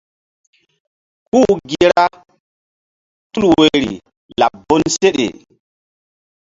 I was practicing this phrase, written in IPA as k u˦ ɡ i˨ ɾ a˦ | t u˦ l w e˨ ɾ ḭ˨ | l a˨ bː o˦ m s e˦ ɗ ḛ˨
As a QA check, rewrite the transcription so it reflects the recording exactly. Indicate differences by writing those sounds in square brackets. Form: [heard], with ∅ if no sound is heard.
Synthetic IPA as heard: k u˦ ɡ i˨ ɾ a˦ | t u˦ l w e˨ ɾ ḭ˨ | l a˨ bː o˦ [n] s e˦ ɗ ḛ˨